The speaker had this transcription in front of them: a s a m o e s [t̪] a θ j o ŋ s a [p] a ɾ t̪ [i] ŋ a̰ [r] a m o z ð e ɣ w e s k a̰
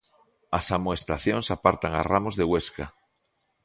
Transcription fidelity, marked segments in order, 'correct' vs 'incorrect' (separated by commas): correct, correct, incorrect, correct